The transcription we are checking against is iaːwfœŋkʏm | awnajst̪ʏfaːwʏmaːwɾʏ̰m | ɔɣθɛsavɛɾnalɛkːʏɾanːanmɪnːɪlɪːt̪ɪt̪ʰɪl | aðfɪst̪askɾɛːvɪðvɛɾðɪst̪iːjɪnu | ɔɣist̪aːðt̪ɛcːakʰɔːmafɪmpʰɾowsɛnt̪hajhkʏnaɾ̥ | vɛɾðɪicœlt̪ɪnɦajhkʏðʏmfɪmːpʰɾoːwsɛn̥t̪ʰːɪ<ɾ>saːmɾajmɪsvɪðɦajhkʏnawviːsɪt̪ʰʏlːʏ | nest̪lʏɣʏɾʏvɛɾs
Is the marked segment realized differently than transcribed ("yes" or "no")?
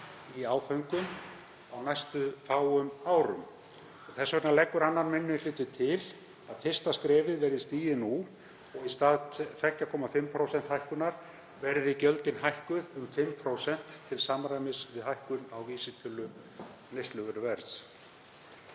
yes